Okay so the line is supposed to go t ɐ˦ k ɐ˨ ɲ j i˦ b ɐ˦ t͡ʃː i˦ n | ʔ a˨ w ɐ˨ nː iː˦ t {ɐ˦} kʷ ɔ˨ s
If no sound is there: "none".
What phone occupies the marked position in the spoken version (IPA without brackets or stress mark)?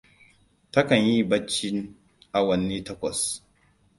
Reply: ɐ˦